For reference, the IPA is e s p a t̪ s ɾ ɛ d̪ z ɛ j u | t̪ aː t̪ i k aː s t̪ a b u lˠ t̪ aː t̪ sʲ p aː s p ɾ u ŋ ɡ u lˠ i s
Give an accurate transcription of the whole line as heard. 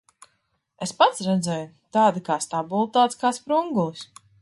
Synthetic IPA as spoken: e s p a t̪ s ɾ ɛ d̪ z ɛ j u | t̪ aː d̪ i k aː s t̪ a b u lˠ t̪ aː t̪ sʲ k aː s p ɾ u ŋ ɡ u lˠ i s